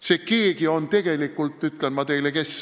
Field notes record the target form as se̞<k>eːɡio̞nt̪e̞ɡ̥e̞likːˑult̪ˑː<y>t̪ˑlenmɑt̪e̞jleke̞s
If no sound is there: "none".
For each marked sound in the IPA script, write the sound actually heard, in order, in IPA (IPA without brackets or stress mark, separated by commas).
k, y